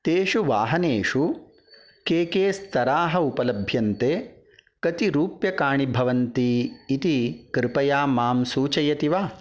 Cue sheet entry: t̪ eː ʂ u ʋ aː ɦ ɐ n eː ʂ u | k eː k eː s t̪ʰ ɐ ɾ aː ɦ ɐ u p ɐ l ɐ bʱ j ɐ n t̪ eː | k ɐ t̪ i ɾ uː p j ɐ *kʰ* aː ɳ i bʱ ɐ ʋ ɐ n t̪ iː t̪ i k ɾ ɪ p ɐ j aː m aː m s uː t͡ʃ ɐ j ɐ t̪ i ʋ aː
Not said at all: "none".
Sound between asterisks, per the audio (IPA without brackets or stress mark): k